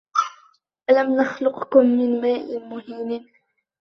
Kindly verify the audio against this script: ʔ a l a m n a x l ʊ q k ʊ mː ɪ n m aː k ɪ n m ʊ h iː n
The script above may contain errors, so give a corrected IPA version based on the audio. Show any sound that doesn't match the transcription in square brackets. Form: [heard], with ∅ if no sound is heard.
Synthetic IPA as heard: ʔ a l a m n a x l ʊ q k ʊ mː ɪ n m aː [ʔ] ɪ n m ʊ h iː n